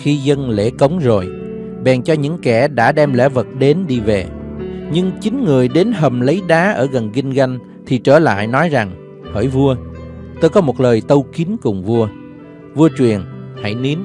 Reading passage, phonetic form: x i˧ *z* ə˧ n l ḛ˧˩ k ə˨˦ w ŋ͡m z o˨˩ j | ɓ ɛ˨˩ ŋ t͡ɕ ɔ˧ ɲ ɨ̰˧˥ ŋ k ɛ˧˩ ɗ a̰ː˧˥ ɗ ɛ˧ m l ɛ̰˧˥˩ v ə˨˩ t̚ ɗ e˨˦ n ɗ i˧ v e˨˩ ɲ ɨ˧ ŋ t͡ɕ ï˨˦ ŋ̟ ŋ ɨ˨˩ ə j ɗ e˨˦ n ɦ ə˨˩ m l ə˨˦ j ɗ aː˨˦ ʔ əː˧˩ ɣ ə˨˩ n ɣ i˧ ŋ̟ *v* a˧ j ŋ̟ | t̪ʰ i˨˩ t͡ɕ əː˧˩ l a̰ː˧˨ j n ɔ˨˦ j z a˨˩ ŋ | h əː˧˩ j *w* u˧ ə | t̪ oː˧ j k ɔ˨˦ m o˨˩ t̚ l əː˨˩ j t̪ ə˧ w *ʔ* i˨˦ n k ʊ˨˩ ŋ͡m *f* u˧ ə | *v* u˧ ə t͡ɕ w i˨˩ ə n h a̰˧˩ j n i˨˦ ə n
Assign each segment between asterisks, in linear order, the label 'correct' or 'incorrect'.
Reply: correct, incorrect: ɣ, incorrect: v, incorrect: k, incorrect: v, correct

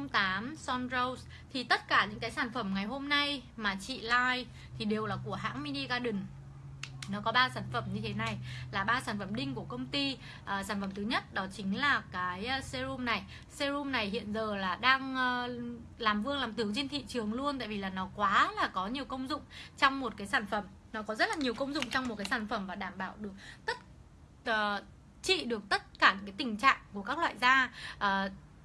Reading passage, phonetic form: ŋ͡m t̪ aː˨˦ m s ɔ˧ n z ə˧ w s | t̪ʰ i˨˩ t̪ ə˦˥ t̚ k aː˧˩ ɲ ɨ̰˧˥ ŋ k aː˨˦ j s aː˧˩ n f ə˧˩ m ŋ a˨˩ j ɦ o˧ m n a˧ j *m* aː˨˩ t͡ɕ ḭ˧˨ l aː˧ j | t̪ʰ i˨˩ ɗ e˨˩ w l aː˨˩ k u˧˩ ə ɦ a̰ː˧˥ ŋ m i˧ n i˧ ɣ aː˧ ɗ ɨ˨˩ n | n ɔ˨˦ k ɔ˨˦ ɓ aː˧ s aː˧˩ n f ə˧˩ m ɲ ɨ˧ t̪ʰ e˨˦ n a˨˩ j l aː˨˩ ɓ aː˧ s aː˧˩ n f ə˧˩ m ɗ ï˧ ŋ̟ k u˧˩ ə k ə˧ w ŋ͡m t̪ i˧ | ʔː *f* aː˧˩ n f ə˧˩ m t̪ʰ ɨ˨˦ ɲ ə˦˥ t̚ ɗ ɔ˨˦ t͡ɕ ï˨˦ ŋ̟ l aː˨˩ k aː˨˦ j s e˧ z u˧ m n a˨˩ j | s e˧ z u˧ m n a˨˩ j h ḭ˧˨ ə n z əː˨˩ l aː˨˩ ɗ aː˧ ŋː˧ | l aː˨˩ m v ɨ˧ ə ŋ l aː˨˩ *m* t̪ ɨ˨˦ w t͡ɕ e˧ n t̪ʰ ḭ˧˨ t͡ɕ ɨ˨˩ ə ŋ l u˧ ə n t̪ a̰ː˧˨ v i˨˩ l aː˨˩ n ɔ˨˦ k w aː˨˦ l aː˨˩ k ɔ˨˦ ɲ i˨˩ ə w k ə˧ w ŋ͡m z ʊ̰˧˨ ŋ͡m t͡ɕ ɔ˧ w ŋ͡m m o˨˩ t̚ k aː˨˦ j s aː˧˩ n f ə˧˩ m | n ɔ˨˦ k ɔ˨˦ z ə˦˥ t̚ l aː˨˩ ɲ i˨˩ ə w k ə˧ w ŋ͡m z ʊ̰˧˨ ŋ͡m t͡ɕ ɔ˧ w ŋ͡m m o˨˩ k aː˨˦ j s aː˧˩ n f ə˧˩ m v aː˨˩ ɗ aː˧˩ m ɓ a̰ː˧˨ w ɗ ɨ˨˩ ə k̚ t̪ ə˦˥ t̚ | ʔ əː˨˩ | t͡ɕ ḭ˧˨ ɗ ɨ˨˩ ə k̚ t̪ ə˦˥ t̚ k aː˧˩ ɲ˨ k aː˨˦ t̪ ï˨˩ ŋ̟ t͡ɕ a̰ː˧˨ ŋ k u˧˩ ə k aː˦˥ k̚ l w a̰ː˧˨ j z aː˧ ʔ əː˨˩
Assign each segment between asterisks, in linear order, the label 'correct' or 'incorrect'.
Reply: correct, incorrect: s, correct

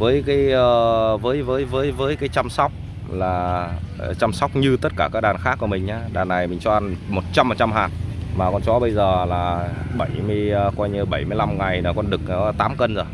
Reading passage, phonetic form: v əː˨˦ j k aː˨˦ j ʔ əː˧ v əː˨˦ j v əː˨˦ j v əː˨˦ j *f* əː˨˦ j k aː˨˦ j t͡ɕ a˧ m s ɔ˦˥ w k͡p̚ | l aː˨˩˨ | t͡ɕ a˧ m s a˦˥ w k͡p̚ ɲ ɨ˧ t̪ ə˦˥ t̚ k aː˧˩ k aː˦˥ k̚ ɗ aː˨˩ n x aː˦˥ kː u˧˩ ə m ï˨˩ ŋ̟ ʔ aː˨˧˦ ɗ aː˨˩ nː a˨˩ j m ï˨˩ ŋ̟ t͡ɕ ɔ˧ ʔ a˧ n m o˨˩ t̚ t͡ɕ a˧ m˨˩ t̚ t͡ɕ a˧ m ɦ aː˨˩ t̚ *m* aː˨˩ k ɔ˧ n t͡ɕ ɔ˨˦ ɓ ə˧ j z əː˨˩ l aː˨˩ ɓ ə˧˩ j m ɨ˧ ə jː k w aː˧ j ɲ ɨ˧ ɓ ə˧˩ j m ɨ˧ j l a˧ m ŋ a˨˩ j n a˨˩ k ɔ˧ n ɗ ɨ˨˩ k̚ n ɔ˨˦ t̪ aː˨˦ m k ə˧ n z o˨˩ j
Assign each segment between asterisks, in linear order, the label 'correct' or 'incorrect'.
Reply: incorrect: v, correct

